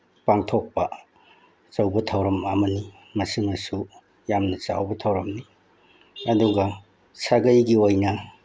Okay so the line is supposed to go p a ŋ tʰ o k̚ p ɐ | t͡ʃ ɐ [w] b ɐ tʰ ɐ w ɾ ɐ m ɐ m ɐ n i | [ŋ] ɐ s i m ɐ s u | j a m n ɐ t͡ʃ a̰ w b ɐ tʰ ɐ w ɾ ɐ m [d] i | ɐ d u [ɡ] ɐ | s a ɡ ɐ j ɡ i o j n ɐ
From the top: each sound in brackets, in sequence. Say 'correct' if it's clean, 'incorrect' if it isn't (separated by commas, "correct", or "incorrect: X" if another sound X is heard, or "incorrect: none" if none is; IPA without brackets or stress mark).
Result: correct, incorrect: m, incorrect: n, correct